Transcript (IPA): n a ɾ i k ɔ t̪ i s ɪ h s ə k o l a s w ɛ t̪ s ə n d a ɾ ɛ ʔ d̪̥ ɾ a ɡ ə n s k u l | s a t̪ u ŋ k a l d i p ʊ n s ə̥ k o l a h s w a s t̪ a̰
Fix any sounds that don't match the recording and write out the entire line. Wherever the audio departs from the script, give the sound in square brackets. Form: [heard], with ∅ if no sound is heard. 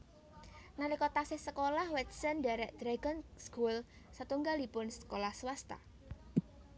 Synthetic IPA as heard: n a ɾ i k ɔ t̪ [a] s ɪ h s ə k o l a [h] w ɛ t̪ s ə n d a ɾ ɛ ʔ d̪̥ ɾ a ɡ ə n s k u l | s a t̪ u ŋ [ɡ] a l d i p ʊ n s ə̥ k o l a h s w a s t̪ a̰